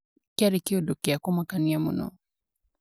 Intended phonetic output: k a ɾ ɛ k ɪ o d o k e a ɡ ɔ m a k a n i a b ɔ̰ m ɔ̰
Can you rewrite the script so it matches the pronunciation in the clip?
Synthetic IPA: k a ɾ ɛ k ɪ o d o k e a k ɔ m a k a n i a m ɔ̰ n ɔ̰